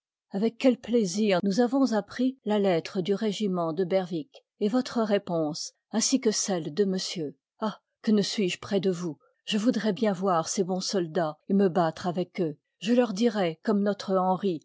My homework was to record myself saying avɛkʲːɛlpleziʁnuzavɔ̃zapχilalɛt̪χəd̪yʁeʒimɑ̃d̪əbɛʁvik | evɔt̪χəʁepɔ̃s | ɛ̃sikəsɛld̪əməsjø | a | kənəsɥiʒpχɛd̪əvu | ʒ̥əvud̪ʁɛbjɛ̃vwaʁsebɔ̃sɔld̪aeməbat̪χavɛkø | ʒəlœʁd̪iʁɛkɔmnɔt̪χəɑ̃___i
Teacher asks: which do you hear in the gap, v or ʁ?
ʁ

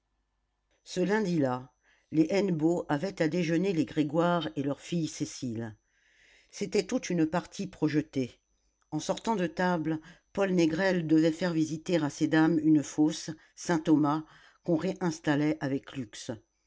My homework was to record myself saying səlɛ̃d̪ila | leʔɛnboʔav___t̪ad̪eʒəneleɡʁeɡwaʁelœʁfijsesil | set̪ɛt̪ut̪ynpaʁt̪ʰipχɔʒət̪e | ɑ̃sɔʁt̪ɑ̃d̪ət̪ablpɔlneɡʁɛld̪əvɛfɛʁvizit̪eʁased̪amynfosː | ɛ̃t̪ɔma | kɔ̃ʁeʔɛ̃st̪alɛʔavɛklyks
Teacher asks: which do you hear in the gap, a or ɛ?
ɛ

